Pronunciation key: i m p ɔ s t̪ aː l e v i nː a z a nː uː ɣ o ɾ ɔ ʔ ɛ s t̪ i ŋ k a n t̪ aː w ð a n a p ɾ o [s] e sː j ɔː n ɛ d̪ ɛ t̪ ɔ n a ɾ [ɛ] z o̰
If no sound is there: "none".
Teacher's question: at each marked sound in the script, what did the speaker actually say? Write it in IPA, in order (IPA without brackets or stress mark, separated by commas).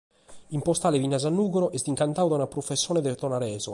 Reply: f, ɛː